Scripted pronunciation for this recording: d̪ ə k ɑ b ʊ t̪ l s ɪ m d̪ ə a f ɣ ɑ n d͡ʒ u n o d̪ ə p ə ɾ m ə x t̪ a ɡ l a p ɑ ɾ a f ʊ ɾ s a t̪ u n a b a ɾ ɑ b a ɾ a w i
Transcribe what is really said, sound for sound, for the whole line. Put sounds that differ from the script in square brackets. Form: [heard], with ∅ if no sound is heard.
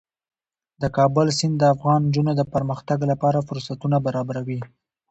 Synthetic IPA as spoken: d̪ ə k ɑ b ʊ [∅] l s ɪ [n] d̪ ə a f ɣ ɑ n d͡ʒ u n o d̪ ə p ə ɾ m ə x t̪ a ɡ l a p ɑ ɾ a f ʊ ɾ s a t̪ u n a b a ɾ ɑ b a ɾ a w i